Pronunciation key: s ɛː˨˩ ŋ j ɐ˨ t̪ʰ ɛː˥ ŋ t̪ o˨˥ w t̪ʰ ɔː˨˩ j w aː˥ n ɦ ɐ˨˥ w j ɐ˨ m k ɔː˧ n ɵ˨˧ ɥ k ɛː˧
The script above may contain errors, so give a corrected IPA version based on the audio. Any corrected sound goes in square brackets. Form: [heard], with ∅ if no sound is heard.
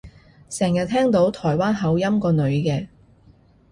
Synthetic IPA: s ɛː˨˩ ŋ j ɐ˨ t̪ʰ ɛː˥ ŋ t̪ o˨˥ w t̪ʰ ɔː˨˩ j w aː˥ n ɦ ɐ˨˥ w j [ɐ˥] m k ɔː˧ n ɵ˨˧ ɥ k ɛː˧